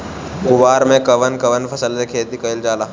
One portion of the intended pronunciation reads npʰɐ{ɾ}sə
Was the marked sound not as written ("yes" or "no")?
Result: yes